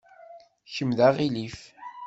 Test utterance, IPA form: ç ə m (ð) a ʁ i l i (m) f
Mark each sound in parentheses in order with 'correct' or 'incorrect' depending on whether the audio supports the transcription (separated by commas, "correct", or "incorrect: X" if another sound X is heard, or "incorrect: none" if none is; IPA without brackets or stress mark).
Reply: correct, incorrect: none